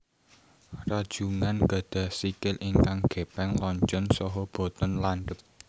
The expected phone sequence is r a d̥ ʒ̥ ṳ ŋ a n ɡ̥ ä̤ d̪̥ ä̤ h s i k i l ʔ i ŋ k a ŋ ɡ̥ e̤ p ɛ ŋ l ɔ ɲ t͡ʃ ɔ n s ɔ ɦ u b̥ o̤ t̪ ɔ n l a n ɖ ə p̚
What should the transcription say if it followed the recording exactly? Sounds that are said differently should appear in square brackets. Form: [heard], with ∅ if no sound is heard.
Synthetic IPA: r a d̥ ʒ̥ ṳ ŋ a n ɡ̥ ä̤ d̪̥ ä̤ h s i k [ɪ] l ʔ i ŋ k a ŋ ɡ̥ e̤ p ɛ ŋ l ɔ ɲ t͡ʃ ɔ n s ɔ ɦ [ɔ] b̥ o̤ t̪ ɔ n l a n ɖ ə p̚